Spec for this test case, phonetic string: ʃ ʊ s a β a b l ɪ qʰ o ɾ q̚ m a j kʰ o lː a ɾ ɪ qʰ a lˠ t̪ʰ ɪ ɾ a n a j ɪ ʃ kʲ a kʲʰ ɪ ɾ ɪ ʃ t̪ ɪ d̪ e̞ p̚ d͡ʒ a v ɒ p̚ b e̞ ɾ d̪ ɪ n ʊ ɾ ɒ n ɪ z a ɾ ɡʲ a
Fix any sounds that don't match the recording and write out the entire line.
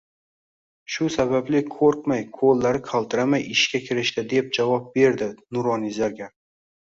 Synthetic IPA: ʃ ʊ s a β a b l ɪ kʰ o ɾ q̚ m a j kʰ o lː a ɾ ɪ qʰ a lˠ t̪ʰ ɪ ɾ a m a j ɪ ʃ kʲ a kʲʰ ɪ ɾ ɪ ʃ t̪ ɪ d̪ e̞ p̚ d͡ʒ a v ɒ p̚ b e̞ ɾ d̪ ɪ n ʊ ɾ ɒ n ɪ z a ɾ ɡʲ a